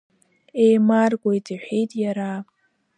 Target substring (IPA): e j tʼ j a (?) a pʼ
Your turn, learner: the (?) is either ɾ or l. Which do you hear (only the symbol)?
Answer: ɾ